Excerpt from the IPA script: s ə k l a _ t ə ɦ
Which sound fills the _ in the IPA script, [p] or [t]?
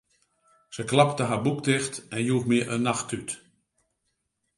p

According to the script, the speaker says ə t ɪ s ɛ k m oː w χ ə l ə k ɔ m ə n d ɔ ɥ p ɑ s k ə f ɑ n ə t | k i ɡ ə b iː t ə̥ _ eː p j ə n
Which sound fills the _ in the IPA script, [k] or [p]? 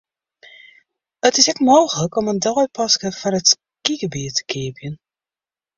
k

